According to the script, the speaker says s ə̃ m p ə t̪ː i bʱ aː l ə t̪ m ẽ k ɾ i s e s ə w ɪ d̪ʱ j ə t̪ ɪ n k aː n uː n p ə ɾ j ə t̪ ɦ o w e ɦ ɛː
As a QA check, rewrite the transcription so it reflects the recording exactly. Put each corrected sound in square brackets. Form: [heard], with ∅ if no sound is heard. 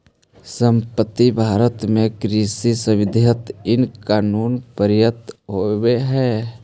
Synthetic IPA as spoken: s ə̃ m p ə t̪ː i bʱ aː [ɾ] ə t̪ m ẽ k ɾ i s [i] s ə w ɪ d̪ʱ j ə t̪ ɪ n k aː n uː n p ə ɾ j ə t̪ ɦ o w e ɦ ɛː